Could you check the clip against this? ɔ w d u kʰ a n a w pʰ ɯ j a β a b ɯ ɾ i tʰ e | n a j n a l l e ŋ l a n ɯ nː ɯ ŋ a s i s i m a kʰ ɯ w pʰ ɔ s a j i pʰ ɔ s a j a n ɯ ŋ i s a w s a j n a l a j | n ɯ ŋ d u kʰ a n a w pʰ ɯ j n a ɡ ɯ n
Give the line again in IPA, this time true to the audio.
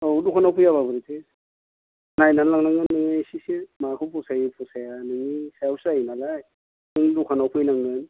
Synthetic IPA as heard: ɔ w d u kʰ a n a w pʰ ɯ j a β a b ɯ ɾ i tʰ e | n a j n a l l a ŋ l a ŋ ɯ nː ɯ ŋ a s i s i m a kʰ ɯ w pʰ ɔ s a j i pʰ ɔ s a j a n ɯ ŋ i s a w s a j n a l a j | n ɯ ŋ d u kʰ a n a w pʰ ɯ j n a ŋ ɯ n

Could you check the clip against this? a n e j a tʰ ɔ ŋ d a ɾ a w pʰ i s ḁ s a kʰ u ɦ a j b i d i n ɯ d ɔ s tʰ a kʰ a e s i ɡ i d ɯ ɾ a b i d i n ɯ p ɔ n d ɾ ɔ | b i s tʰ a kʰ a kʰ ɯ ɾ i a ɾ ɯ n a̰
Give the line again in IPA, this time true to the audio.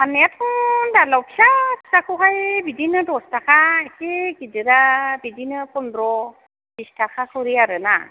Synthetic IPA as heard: a n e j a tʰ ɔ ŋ d a l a w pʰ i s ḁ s a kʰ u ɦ a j b i d i n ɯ d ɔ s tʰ a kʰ a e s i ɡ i d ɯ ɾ a b i d i n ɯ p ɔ n d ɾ ɔ | b i s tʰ a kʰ a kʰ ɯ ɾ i a ɾ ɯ n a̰

